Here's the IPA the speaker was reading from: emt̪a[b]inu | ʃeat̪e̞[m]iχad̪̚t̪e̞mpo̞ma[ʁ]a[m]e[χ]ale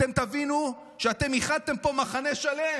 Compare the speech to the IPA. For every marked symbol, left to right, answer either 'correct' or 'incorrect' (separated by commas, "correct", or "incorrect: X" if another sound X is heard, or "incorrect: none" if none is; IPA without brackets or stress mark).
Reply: incorrect: v, correct, incorrect: χ, incorrect: n, incorrect: ʃ